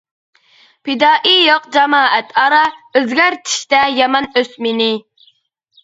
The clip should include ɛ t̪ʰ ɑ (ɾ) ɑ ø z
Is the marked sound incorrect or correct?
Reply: correct